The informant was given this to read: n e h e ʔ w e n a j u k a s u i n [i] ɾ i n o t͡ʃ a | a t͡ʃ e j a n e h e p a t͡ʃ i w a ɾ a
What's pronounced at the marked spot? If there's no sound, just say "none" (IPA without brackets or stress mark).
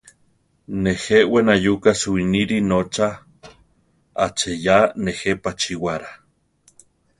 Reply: i